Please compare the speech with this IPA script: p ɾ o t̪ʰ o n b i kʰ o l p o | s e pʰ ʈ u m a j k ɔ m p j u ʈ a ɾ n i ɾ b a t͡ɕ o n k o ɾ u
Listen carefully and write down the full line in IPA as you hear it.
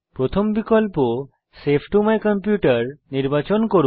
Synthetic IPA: p ɾ o t̪ʰ o m b i k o l p o | s e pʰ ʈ u m a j k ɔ m p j u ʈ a ɾ n i ɾ b a t͡ɕ o n k o ɾ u